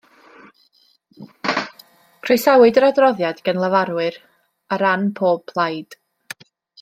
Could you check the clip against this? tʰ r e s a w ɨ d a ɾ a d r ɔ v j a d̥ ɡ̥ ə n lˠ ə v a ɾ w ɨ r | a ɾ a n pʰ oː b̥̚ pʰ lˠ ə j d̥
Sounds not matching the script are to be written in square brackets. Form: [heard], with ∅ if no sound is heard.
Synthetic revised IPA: [kʰ] r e s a w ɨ d [ə] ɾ a d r ɔ [ð] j a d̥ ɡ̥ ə n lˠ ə v a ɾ w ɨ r | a ɾ a n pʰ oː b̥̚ pʰ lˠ [a] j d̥